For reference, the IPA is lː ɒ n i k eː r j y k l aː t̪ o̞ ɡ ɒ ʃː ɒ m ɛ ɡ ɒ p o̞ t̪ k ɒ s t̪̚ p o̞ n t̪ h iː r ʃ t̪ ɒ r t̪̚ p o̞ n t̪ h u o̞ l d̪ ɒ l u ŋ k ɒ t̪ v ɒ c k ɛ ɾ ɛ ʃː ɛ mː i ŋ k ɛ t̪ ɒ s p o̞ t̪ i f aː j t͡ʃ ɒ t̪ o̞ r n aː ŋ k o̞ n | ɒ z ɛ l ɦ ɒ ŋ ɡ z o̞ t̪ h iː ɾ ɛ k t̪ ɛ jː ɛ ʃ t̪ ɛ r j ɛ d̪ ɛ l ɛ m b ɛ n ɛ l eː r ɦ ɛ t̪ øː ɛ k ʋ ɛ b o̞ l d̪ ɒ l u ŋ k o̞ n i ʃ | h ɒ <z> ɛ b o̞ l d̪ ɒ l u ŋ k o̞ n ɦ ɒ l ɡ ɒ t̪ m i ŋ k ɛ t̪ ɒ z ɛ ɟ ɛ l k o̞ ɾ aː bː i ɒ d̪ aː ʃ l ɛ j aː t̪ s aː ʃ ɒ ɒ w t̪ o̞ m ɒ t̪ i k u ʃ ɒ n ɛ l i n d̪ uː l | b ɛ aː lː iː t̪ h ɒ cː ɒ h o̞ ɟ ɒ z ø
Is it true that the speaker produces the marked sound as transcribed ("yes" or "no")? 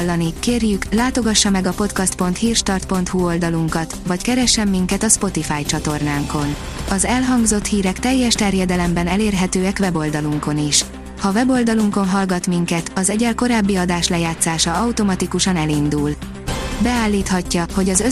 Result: no